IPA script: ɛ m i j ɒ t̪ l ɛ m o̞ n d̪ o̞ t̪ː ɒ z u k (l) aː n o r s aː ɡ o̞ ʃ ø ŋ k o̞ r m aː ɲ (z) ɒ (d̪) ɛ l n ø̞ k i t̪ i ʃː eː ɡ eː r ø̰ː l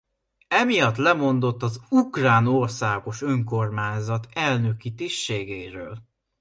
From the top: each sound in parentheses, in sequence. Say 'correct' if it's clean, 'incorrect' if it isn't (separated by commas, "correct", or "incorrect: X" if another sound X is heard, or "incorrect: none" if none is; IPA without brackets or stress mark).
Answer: incorrect: r, correct, incorrect: t̪